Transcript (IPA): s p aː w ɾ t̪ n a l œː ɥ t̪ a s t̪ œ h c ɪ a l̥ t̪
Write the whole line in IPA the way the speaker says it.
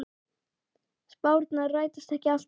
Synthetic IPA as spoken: s p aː w ɾ t̪ n a r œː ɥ t̪ a s t̪ ɛ h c ɪ a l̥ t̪